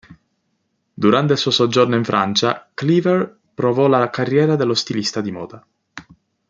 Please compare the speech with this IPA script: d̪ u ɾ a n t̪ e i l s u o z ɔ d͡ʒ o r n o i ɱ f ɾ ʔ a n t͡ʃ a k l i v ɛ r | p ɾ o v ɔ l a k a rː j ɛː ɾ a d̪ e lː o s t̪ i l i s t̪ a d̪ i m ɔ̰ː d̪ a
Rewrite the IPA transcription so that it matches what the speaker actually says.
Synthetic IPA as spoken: d̪ u ɾ a n t̪ e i l s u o s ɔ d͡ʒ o r n o i ɱ f ɾ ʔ a n t͡ʃ a k l i v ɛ r | p ɾ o v ɔ l a k a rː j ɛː ɾ a d̪ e lː o s t̪ i l i s t̪ a d̪ i m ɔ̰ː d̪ a